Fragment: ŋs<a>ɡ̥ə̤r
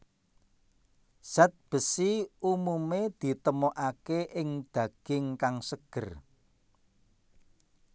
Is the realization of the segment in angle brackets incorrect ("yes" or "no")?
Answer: yes